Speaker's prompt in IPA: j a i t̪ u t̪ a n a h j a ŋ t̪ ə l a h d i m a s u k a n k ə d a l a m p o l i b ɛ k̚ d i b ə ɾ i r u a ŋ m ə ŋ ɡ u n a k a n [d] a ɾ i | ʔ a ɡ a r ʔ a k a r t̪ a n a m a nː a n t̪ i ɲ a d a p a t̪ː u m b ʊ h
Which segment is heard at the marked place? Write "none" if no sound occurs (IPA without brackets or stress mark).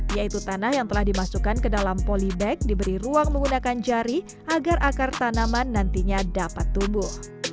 d͡ʒ